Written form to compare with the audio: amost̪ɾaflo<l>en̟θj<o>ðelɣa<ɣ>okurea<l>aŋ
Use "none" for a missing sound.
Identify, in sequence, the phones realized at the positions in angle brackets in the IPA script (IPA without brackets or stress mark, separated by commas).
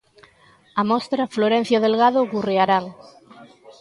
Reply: ɾ, o, ð, ɾ